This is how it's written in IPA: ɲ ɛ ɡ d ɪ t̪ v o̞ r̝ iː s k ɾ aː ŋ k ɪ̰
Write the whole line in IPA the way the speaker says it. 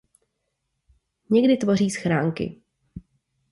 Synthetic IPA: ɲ ɛ ɡ d ɪ t̪ v o̞ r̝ iː s x ɾ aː ŋ k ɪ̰